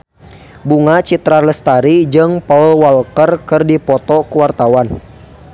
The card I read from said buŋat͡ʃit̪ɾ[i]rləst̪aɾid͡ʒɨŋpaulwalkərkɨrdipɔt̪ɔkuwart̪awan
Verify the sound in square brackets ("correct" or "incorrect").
incorrect